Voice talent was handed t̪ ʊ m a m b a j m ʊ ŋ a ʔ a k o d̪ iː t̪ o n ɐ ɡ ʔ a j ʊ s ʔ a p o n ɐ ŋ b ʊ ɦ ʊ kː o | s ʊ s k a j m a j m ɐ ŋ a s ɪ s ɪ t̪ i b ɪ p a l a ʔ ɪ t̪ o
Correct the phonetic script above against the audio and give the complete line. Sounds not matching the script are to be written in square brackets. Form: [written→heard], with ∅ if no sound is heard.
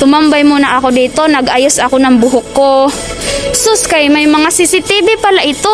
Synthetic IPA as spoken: t̪ ʊ m a m b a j m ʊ [ŋ→n] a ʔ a k o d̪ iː t̪ o n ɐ ɡ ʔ a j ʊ s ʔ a [p→k] o n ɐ ŋ b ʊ ɦ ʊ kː o | s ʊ s k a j m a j m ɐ ŋ a s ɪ s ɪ t̪ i b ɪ p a l a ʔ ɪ t̪ o